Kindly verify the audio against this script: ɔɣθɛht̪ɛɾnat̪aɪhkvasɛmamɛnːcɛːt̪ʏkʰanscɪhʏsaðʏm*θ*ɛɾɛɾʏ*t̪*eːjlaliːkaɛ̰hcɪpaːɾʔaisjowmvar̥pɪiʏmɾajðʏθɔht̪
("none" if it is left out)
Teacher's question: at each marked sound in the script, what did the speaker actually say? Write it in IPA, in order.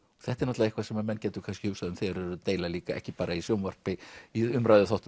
θ, t̪

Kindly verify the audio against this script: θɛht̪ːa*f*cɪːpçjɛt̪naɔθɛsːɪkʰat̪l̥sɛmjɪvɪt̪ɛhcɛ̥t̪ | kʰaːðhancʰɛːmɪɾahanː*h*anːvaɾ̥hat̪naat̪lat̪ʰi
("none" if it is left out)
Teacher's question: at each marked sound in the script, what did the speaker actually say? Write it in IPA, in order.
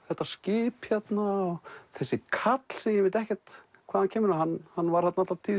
s, h

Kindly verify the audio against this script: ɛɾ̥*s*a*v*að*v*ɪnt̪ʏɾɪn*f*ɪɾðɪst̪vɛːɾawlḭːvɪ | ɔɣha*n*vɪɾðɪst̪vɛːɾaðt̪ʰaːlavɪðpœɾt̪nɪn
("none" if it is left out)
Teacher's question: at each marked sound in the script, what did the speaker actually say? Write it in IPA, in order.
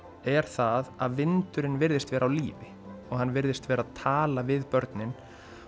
θ, ð, v, v, nː

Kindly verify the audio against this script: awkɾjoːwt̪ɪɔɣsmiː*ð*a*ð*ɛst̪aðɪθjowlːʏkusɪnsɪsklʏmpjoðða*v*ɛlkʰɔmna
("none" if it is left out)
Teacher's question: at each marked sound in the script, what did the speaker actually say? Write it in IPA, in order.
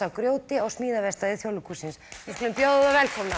ð, v, v

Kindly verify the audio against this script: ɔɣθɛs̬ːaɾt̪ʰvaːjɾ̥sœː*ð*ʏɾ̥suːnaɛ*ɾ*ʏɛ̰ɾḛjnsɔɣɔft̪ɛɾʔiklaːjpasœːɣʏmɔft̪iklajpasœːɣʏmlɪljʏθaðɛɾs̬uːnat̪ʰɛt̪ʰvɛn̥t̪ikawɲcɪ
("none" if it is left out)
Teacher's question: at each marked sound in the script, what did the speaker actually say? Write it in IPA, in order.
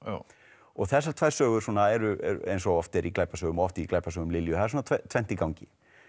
ɣ, ɾ

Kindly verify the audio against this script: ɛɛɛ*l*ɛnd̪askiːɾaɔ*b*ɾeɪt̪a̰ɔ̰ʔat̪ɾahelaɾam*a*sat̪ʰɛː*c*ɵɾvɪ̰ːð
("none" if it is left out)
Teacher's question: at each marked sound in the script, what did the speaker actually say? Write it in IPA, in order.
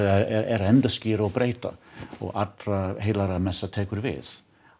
ɾ, b, ɛ, k

